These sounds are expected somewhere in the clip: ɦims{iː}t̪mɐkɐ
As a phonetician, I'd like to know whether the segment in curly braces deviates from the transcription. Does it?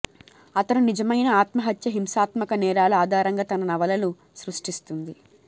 yes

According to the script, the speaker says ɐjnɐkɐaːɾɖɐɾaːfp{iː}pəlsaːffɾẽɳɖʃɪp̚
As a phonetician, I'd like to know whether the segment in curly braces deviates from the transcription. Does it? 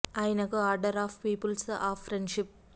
no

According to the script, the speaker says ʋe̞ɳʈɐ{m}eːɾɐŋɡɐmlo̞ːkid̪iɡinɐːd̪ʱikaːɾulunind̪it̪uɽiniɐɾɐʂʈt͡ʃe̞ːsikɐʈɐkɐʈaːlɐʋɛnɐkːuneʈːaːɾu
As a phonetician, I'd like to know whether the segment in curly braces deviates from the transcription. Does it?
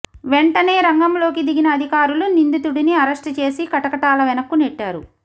yes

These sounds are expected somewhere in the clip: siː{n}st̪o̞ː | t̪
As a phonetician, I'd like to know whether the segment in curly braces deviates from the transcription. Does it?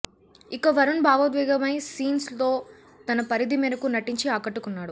no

